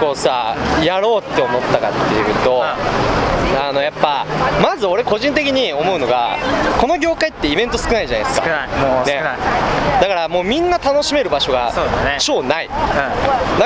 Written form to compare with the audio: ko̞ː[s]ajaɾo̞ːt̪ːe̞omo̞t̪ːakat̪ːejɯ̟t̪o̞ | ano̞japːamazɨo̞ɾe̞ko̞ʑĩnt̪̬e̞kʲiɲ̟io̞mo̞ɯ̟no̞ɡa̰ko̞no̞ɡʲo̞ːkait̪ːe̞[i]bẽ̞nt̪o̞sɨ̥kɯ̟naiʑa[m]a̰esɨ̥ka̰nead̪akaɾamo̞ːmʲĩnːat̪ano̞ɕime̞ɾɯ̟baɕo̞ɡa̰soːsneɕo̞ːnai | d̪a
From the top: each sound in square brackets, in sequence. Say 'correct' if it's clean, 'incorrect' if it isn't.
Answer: correct, correct, incorrect

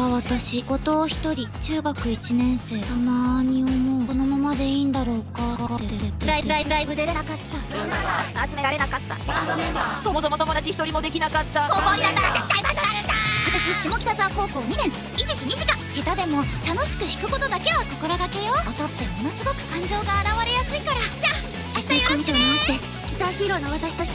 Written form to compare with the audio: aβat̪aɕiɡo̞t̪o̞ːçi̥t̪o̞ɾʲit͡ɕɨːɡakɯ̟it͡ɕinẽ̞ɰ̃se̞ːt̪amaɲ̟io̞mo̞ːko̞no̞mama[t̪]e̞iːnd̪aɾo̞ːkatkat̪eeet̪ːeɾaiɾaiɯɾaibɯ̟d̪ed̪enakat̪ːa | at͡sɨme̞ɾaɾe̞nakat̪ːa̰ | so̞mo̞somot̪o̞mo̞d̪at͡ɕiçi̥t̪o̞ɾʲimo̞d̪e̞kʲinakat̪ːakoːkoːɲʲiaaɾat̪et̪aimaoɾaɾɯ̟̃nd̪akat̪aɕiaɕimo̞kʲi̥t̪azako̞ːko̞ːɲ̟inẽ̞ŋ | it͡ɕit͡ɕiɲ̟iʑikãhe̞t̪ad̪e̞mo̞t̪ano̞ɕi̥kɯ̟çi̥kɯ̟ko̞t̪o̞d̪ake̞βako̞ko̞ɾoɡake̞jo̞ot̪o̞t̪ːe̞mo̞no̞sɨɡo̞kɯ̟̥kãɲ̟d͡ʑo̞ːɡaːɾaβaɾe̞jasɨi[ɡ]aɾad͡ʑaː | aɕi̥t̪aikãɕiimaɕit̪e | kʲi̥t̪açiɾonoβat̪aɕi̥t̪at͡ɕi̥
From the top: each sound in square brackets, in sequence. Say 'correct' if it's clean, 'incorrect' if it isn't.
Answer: incorrect, incorrect

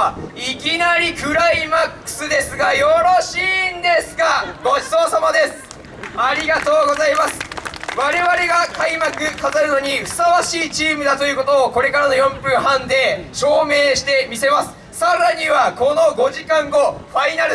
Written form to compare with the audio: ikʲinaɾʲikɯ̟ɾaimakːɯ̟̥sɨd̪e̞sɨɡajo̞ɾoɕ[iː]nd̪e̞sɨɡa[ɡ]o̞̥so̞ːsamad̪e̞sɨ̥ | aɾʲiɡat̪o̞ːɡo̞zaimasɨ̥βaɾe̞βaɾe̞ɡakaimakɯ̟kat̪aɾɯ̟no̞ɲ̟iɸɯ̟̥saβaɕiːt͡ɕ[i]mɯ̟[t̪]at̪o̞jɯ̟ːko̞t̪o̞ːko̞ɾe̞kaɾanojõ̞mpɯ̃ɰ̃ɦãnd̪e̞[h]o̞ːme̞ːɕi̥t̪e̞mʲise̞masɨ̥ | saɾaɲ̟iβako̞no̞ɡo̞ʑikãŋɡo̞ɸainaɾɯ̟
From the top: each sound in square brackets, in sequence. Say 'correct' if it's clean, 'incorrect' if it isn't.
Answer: correct, correct, incorrect, incorrect, incorrect

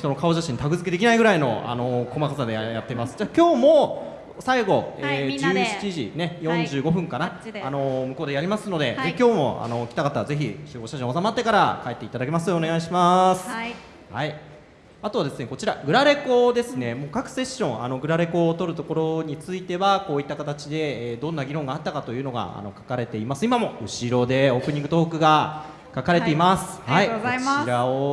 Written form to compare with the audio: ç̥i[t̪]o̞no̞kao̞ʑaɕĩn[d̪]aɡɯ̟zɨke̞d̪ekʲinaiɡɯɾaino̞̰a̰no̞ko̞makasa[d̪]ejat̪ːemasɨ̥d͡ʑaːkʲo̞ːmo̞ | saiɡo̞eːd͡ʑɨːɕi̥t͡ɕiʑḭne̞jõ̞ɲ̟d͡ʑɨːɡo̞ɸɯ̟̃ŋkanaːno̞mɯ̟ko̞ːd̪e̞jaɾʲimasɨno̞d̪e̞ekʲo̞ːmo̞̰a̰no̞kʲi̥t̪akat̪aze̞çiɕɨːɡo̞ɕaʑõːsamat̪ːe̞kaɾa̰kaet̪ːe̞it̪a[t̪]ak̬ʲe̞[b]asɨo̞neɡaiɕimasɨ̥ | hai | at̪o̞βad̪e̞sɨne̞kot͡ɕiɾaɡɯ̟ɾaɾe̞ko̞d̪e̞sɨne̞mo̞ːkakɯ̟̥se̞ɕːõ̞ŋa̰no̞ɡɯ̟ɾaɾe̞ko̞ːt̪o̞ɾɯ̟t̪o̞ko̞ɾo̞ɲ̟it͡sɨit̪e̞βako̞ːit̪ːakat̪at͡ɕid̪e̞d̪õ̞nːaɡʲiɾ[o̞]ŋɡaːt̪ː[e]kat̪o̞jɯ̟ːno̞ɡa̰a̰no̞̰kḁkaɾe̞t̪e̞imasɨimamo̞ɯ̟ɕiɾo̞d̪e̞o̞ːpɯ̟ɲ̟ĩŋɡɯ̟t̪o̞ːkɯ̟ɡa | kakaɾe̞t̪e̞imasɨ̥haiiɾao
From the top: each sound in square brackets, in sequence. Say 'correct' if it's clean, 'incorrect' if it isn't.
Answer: correct, incorrect, correct, incorrect, incorrect, incorrect, incorrect

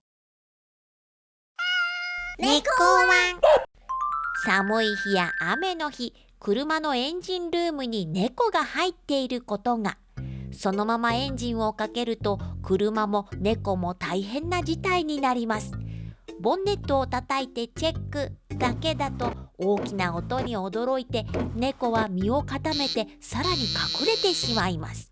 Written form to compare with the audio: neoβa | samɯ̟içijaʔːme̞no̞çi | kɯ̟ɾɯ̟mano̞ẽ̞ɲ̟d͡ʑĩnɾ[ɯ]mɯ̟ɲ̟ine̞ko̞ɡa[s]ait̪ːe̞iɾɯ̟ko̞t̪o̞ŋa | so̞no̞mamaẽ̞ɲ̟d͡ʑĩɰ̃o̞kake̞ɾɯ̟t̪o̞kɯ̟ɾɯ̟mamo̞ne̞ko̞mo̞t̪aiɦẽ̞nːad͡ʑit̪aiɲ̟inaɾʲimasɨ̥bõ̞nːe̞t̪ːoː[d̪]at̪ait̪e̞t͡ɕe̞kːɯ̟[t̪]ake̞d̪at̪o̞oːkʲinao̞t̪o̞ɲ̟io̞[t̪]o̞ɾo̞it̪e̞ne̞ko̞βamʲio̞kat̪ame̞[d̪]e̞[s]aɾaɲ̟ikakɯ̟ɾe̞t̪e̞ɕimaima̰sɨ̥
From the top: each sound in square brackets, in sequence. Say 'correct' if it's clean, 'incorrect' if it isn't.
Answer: incorrect, incorrect, incorrect, incorrect, incorrect, incorrect, correct

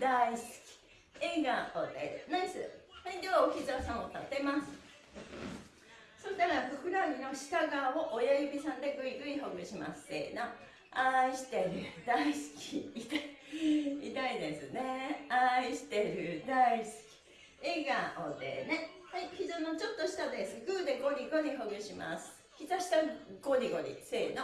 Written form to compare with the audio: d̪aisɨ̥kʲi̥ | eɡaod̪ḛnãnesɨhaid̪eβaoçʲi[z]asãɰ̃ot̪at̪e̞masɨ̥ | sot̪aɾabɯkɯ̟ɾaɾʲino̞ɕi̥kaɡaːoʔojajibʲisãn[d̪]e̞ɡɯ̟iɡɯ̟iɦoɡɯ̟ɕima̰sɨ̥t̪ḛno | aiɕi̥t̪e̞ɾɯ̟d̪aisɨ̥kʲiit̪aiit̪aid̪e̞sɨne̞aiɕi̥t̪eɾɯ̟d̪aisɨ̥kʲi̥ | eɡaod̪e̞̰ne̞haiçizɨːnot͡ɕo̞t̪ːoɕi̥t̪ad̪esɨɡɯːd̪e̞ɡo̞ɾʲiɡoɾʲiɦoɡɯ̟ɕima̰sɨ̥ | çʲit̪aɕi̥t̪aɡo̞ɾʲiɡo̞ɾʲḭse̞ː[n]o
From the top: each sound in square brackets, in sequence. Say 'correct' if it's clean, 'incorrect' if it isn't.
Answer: correct, correct, correct

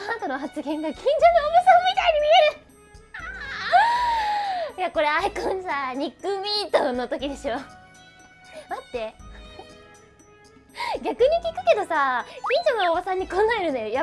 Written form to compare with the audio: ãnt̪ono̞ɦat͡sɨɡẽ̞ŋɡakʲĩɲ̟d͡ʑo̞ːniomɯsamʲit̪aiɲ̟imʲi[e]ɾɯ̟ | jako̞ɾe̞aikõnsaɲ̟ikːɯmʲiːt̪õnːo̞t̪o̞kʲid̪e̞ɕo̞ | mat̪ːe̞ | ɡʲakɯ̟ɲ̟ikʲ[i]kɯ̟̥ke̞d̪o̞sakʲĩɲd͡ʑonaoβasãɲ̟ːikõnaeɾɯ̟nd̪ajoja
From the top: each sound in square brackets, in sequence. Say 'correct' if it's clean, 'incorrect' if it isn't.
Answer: correct, correct

